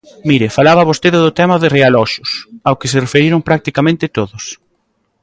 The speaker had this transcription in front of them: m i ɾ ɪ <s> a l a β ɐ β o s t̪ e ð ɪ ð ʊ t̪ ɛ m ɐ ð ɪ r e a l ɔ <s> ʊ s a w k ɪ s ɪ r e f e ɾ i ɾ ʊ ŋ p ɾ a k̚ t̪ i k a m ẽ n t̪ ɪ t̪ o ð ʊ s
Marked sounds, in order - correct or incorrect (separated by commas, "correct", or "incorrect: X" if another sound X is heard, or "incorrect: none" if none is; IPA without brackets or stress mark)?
incorrect: f, incorrect: ʃ